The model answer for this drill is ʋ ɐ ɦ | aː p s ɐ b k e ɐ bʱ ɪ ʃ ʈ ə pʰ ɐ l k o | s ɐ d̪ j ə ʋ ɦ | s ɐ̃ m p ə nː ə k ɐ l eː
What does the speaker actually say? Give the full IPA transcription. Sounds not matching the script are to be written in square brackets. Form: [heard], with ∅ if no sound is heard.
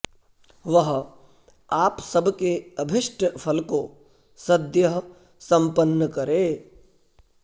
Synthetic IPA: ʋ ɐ ɦ | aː p s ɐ b k e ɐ bʱ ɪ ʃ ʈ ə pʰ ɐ l k o | s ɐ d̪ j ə [∅] ɦ | s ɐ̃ m p ə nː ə k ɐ [ɾ] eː